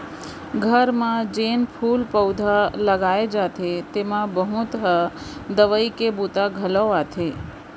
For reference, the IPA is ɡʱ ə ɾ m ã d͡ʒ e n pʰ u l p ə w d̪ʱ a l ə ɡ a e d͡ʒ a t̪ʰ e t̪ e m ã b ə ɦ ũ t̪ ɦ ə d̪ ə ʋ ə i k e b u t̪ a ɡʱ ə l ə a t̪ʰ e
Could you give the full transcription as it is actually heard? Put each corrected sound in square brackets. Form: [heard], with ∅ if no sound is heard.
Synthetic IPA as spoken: ɡʱ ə ɾ m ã d͡ʒ e n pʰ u l p ə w d̪ʱ a l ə ɡ a e d͡ʒ a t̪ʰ e t̪ e m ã b ə ɦ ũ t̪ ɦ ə d̪ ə ʋ ə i k e b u t̪ a ɡʱ ə l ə a t̪ʰ e